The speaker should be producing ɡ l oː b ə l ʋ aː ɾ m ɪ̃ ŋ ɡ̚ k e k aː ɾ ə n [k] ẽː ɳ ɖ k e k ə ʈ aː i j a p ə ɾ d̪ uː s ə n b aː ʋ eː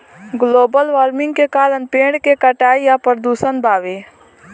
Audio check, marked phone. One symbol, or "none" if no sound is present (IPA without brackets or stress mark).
p